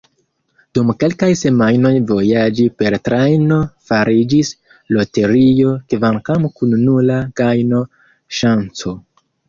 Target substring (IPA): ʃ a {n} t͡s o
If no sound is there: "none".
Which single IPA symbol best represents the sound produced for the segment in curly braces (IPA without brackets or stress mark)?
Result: n